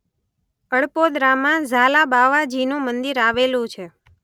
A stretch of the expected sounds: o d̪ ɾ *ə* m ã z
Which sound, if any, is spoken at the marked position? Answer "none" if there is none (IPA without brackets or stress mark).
a